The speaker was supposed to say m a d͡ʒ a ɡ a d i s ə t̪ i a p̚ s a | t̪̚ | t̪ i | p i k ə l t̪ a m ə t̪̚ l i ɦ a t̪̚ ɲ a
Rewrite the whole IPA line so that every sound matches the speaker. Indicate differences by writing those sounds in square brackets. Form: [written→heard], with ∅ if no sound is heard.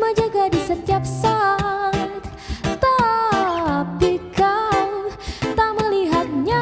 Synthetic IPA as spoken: m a d͡ʒ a ɡ a d i s ə t̪ i a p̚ s a | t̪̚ | t̪ [i→a] | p i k [ə→a] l t̪ a m ə [t̪̚→∅] l i ɦ a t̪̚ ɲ a